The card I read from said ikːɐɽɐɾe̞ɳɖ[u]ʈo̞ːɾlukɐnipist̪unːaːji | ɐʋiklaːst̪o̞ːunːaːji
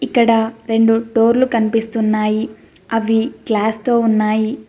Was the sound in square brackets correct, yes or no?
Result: yes